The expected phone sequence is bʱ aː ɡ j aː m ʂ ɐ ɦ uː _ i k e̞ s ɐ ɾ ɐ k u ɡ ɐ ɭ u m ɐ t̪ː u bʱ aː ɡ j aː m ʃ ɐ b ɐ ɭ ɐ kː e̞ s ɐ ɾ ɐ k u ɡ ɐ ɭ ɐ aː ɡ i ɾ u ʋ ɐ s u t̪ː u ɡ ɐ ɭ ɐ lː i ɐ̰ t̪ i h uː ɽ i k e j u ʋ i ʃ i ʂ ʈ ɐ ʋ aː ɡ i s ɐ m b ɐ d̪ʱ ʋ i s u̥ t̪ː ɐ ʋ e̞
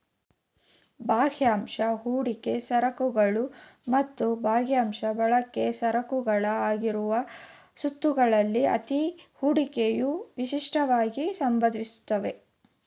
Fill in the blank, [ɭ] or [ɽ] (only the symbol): ɽ